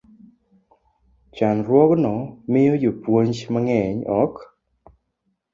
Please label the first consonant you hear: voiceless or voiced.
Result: voiceless